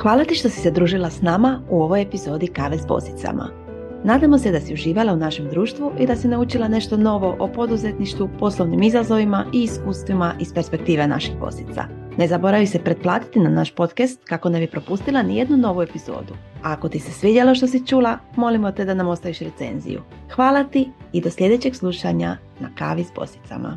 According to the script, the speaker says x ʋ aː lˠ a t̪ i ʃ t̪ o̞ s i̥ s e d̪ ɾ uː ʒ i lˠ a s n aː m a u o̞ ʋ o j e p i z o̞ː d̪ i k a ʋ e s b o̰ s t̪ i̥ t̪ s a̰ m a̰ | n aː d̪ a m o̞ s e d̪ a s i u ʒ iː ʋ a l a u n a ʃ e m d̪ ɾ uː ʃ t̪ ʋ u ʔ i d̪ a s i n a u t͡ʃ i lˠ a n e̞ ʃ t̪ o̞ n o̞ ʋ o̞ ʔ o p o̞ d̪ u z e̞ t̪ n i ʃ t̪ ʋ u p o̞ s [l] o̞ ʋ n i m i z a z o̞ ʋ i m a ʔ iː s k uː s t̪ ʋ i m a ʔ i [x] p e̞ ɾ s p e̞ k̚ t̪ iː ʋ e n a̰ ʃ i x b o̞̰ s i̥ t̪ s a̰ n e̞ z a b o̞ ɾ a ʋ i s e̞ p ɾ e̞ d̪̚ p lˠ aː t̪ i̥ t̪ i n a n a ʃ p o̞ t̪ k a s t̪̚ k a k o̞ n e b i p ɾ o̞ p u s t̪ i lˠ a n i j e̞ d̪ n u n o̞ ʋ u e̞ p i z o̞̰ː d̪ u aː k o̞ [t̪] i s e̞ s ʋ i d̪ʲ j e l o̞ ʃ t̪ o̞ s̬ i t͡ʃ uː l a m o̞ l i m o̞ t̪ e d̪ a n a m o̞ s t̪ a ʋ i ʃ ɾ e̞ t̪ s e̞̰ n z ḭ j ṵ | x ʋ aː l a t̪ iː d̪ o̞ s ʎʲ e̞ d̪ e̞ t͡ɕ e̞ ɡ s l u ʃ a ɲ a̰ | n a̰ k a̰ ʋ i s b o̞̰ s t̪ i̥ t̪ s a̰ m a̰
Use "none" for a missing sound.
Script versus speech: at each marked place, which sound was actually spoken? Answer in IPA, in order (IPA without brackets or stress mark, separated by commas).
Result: l, s, t̪